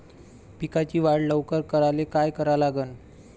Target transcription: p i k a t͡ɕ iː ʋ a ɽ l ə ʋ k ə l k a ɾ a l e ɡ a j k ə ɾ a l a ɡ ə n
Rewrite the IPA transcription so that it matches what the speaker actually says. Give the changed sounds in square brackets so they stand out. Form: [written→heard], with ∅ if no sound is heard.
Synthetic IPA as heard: p i k a t͡ɕ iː ʋ a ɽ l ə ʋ k ə [l→ɾ] k [a→ə] ɾ a l e [ɡ→k] a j k ə ɾ a l a ɡ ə n